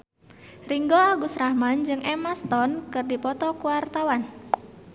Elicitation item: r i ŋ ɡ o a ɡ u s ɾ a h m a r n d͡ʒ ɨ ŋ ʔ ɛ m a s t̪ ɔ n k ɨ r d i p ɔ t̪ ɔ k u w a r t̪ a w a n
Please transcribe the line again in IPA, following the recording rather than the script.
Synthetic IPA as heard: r i ŋ ɡ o a ɡ u s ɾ a h m a n d͡ʒ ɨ ŋ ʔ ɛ m a s t̪ ɔ n k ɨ r d i p ɔ t̪ ɔ k u w a r t̪ a w a n